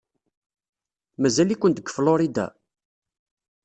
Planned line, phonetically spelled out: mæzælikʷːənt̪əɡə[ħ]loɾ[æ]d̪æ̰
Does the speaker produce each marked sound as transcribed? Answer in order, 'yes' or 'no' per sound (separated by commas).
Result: no, no